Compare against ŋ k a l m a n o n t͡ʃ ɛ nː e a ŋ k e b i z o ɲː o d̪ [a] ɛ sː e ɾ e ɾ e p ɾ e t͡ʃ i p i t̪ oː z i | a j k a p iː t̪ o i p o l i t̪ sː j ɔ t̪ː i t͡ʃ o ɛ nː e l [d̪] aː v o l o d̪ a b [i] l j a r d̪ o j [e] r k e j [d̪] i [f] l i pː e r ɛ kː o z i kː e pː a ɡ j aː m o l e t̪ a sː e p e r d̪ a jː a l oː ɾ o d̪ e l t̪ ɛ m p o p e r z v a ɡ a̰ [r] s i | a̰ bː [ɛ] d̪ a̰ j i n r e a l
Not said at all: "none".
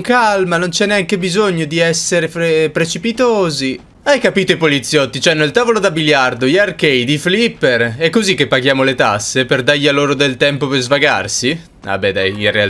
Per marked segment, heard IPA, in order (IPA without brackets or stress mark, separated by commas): i, t̪, i, a, d̪, f, r, ɛ